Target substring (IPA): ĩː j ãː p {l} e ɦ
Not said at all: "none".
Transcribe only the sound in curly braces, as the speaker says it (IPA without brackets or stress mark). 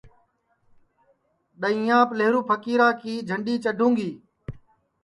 l